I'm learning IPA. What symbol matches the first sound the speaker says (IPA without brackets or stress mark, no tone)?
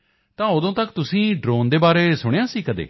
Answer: t̪